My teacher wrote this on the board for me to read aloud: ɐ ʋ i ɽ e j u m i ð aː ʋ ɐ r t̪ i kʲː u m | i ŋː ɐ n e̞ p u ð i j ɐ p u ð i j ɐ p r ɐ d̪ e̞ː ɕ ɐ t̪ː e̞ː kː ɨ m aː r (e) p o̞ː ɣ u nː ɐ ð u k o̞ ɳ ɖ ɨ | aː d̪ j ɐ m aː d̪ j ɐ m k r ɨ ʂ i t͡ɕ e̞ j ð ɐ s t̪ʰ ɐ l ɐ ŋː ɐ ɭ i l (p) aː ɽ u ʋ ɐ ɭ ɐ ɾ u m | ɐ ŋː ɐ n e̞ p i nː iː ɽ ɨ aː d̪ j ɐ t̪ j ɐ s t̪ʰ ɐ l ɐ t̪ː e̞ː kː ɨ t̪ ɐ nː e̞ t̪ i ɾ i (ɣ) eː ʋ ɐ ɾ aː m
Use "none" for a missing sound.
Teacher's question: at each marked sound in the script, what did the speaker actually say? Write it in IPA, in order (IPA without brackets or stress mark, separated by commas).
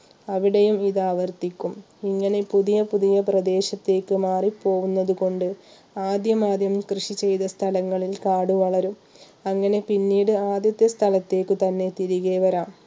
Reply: i, k, ɣ